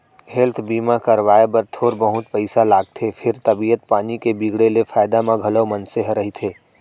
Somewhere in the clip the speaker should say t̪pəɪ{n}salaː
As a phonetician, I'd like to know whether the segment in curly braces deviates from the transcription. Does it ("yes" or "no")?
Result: yes